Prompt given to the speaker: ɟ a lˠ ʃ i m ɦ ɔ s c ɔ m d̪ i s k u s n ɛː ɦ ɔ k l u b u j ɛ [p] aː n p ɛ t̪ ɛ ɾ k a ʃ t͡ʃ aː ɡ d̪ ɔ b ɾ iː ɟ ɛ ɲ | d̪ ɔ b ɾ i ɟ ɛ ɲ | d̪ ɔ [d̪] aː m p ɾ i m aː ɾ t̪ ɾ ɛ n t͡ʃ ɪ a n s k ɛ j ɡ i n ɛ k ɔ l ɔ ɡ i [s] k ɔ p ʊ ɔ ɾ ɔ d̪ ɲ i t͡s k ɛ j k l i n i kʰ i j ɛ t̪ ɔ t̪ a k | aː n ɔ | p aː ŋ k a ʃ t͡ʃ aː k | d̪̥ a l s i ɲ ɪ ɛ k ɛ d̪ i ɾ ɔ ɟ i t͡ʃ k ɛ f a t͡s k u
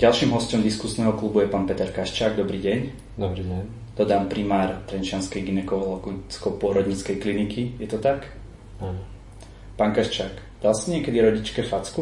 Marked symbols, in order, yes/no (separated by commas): yes, yes, no